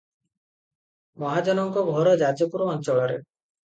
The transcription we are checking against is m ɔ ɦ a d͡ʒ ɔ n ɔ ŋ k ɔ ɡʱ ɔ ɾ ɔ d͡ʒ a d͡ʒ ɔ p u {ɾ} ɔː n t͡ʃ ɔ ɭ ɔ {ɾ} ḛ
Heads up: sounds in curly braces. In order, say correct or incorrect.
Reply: correct, correct

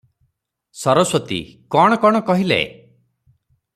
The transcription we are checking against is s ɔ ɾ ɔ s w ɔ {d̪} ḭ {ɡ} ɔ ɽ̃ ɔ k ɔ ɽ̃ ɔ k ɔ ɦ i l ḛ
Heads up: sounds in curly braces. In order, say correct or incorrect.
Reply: incorrect: t̪, incorrect: k

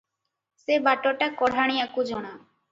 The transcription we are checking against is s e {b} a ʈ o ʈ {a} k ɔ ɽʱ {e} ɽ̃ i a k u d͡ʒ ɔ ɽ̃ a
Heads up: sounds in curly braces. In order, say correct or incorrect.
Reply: correct, correct, incorrect: a

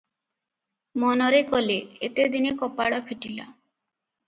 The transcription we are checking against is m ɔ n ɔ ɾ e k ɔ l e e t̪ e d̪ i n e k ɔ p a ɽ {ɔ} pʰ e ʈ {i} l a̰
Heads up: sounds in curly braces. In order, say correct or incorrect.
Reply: correct, correct

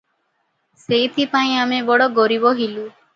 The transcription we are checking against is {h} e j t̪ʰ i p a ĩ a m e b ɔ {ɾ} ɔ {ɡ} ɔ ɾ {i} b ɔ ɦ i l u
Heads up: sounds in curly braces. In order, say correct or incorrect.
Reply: incorrect: s, incorrect: ɽ, correct, correct

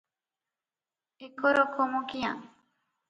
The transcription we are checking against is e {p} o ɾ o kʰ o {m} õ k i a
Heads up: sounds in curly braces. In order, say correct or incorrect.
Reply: incorrect: k, correct

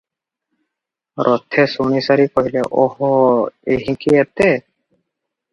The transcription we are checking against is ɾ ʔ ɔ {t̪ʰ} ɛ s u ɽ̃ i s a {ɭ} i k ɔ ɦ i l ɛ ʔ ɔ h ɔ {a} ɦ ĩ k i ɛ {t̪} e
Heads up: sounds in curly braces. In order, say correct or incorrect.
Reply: correct, incorrect: ɾ, incorrect: e, correct

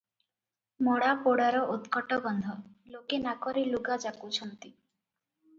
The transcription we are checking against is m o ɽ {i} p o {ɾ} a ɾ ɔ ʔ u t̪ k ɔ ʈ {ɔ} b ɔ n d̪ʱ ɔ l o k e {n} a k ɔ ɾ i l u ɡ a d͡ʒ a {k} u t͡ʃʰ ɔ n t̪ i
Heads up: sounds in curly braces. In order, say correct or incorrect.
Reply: incorrect: a, incorrect: ɽ, correct, correct, correct

